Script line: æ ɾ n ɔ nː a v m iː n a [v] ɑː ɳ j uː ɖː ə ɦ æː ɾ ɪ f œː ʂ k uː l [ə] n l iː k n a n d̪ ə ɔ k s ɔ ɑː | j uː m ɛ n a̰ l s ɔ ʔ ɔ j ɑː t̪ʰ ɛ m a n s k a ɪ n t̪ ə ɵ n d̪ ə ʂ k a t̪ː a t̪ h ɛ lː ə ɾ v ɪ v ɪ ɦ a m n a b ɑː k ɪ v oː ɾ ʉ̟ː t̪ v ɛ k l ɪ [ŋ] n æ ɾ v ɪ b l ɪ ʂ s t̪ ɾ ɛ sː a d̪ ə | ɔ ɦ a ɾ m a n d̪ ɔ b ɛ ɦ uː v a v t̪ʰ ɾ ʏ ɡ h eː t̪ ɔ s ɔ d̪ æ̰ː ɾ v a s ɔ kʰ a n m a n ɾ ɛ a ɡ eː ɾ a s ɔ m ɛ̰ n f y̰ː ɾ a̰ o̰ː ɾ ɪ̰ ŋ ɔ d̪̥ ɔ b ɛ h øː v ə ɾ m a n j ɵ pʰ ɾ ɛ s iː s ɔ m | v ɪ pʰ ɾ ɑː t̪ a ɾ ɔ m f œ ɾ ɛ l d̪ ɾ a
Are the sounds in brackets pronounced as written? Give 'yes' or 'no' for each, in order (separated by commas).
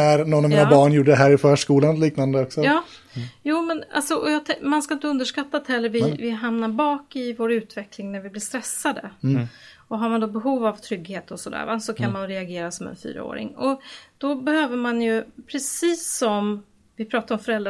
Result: no, no, yes